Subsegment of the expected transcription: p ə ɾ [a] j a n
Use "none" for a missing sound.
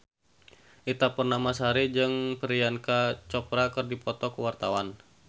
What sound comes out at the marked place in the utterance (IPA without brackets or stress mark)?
i